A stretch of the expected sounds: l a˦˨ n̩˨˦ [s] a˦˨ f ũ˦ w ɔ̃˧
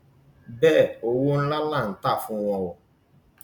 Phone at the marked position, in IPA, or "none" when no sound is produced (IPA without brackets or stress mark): t